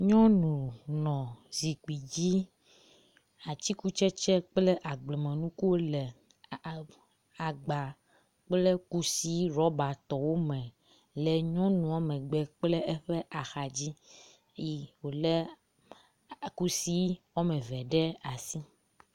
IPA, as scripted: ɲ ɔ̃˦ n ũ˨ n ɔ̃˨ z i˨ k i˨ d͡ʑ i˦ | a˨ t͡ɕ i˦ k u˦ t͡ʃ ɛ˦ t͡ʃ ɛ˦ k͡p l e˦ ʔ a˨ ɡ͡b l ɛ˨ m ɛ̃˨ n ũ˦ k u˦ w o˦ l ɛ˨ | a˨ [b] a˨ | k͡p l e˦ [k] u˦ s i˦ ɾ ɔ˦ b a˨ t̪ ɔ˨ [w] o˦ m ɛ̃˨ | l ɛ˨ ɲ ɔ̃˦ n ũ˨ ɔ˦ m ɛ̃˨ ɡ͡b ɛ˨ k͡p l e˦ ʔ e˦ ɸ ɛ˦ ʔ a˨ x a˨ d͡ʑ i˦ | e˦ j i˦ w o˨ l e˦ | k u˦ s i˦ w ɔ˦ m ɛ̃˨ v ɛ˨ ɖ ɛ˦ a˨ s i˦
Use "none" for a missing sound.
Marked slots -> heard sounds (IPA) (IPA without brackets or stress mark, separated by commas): ɡ͡b, k, w